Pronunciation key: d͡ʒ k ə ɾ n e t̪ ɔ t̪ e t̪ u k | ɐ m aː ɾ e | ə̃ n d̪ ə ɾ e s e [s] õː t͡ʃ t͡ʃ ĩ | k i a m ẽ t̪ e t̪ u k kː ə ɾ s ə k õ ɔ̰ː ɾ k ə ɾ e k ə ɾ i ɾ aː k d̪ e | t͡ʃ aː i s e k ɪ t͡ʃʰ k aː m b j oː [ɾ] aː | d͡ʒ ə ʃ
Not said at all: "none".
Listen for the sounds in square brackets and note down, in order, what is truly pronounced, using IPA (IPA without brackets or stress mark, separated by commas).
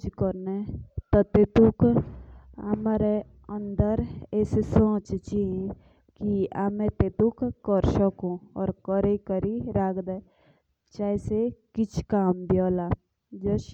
s, l